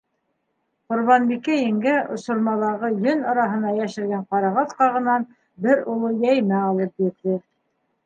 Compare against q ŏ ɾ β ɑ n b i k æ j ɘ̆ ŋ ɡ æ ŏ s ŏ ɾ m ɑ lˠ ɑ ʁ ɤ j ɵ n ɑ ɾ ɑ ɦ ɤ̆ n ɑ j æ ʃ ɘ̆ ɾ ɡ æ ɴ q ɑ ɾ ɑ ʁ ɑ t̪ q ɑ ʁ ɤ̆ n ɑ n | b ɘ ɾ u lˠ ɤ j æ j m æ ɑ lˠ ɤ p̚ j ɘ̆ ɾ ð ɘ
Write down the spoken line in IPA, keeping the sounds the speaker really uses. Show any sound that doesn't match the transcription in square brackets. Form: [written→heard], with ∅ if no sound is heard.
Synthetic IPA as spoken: q ŏ ɾ β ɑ n b i k æ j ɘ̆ ŋ ɡ æ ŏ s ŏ ɾ m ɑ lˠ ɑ ʁ ɤ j ɵ n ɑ ɾ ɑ ɦ ɤ̆ n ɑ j æ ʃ ɘ̆ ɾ ɡ æ ɴ q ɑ ɾ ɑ ʁ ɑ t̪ q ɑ ʁ ɤ̆ n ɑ n | b ɘ ɾ u lˠ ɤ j æ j m æ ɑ lˠ ɤ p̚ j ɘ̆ ɾ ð ɘ

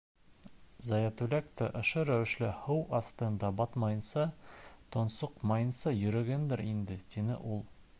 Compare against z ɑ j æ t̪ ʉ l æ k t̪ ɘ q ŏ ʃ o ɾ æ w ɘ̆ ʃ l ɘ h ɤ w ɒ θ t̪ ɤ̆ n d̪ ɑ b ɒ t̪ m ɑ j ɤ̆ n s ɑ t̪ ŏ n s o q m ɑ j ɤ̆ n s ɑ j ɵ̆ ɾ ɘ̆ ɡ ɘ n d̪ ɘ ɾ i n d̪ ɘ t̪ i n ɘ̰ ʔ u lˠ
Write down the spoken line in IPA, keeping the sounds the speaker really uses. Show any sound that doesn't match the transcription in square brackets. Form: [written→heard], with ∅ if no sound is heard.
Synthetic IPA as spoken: z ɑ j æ t̪ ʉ l æ k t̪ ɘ [q→ʔ] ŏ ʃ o ɾ æ w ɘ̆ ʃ l ɘ h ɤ w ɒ θ t̪ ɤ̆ n d̪ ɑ b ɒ t̪ m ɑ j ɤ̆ n s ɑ t̪ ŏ n s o q m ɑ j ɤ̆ n s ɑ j ɵ̆ ɾ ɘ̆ ɡ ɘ n d̪ ɘ ɾ i n d̪ ɘ t̪ i n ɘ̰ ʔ u lˠ

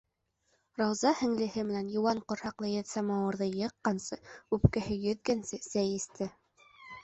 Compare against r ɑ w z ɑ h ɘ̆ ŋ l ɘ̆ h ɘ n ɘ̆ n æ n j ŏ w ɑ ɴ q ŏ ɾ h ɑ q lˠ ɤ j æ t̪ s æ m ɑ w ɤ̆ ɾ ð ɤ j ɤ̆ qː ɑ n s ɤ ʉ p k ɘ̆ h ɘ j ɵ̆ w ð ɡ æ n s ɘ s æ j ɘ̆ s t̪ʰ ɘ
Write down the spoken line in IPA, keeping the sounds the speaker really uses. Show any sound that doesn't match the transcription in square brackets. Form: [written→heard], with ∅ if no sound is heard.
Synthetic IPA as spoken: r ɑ w z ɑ h ɘ̆ ŋ l ɘ̆ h ɘ [n→m] ɘ̆ n æ n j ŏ w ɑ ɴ q ŏ ɾ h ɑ q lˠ ɤ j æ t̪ s æ m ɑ w ɤ̆ ɾ ð ɤ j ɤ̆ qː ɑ n s ɤ ʉ p k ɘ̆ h ɘ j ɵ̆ [w→∅] ð ɡ æ n s ɘ s æ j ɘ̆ s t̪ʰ ɘ

